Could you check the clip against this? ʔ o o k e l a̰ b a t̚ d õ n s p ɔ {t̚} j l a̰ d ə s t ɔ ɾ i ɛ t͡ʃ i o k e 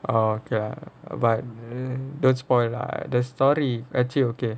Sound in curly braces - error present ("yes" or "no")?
yes